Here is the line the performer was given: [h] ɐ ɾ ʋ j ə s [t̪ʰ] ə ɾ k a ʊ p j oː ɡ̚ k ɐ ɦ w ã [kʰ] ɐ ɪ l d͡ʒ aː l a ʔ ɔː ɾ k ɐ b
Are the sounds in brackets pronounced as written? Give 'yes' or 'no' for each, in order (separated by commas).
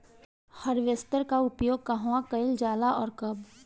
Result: yes, no, no